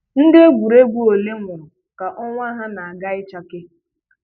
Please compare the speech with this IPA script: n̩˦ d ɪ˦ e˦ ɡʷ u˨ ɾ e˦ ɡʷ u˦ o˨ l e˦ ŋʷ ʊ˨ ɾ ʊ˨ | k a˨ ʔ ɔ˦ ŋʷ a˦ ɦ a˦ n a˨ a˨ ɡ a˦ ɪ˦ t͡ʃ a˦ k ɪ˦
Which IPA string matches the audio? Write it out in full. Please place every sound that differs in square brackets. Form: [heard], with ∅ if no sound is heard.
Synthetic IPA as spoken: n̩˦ d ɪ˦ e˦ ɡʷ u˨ ɾ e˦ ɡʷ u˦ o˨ l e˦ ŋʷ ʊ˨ ɾ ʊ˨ | k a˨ ʔ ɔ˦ ŋʷ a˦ ɦ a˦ n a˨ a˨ ɡ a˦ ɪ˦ t͡ʃ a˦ k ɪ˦